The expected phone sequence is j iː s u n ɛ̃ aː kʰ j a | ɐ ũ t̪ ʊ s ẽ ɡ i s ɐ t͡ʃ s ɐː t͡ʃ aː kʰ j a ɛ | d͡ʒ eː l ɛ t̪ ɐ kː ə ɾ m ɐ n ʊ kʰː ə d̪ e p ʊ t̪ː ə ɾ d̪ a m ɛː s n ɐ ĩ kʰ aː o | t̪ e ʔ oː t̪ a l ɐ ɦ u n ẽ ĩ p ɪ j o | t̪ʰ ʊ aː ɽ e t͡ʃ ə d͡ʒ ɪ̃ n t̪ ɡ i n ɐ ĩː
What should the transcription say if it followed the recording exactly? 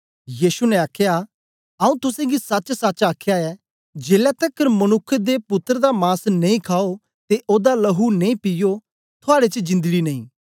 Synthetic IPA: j iː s u n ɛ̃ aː kʰ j a | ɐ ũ t̪ ʊ s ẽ ɡ i s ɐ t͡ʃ s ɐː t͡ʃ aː kʰ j a ɛ | d͡ʒ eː l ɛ t̪ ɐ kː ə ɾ m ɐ n ʊ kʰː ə d̪ e p ʊ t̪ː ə ɾ d̪ a m aː s n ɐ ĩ kʰ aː o | t̪ e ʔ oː d̪ a l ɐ ɦ u n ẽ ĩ p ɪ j o | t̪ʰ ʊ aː ɽ e t͡ʃ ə d͡ʒ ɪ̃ n d̪ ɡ i n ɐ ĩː